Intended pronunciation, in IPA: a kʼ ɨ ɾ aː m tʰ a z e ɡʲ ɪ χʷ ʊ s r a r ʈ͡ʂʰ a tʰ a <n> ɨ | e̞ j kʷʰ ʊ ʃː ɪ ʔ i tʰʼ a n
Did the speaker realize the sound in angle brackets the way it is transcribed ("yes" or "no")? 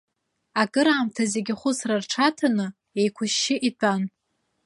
yes